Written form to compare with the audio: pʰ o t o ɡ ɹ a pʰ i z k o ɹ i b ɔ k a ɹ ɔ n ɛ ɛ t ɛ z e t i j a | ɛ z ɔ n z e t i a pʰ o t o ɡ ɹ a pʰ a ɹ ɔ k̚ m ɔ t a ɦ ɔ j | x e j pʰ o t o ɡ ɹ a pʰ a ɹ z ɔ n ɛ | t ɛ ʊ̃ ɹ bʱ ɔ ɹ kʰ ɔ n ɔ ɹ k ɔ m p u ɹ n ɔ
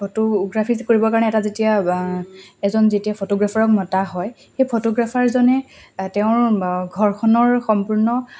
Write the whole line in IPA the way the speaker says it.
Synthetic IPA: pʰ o t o ɡ ɹ a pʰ i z k o ɹ i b ɔ k a ɹ ɔ n ɛ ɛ t a z e t i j a | ɛ z ɔ n z e t i a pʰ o t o ɡ ɹ a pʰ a ɹ ɔ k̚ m ɔ t a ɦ ɔ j | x e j pʰ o t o ɡ ɹ a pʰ a ɹ z ɔ n ɛ | t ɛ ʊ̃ ɹ ɡʱ ɔ ɹ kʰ ɔ n ɔ ɹ x ɔ m p u ɹ n ɔ